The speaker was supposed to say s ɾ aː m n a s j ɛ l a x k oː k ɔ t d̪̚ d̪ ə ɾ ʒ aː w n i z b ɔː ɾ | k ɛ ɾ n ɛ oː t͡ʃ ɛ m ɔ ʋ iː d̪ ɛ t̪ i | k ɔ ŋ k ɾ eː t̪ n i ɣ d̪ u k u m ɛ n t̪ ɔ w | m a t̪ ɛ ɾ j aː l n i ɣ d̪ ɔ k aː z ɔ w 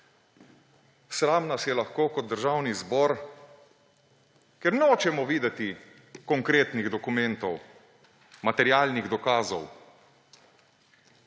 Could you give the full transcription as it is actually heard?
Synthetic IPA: s ɾ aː m n a s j ɛ l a x k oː k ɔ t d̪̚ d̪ ə ɾ ʒ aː w n i z b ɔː ɾ | k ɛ ɾ n ɛ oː t͡ʃ ɛ m ɔ ʋ iː d̪ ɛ t̪ i | k ɔ ŋ k ɾ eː t̪ n i ɣ d̪ ɔ k u m ɛ n t̪ ɔ w | m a t̪ ɛ ɾ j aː l n i ɣ d̪ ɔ k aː z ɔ w